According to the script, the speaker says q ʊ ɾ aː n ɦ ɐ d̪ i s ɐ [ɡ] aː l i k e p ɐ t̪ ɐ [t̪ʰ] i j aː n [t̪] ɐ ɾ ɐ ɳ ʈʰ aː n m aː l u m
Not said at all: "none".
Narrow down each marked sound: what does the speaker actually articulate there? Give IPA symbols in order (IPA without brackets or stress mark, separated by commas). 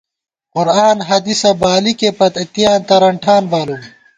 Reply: b, t̪, t̪